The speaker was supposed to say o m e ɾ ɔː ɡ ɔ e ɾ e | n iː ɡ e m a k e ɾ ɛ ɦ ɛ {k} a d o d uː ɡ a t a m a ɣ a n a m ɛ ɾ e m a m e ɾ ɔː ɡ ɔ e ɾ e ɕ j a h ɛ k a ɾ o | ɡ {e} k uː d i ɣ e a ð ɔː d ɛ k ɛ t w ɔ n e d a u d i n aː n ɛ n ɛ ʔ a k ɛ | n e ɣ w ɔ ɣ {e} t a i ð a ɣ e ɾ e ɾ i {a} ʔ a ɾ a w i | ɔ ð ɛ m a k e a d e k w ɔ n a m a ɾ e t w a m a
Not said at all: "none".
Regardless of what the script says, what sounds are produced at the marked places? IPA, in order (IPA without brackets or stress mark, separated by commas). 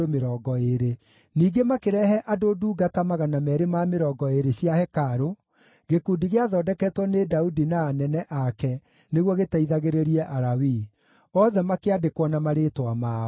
ʔ, e, e, ɛ